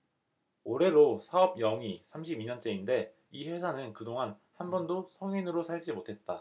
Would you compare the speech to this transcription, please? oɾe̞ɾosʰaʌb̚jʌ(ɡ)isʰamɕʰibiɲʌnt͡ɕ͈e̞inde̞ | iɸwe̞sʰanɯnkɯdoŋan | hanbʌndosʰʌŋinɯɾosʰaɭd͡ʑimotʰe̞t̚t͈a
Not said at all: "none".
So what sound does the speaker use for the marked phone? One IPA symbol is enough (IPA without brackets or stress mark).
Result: ŋ